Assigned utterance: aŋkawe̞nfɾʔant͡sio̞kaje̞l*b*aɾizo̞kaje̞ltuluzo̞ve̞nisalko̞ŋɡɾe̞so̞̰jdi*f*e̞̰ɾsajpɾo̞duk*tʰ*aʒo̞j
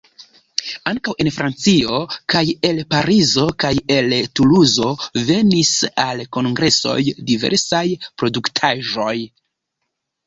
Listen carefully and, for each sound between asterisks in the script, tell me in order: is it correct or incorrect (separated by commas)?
incorrect, incorrect, correct